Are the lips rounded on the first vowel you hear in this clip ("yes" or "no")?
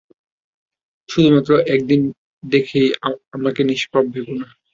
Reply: yes